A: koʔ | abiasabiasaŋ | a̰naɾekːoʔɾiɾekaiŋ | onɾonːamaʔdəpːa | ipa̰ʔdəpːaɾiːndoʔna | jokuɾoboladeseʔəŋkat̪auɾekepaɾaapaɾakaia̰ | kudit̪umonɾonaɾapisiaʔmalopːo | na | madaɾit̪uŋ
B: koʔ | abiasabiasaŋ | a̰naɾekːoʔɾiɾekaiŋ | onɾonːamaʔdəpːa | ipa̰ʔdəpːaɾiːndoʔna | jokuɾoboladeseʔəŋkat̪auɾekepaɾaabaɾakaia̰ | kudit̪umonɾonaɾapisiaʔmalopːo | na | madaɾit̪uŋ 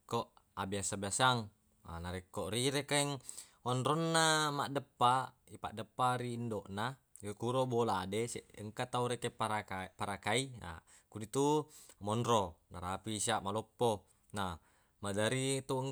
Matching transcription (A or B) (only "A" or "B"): A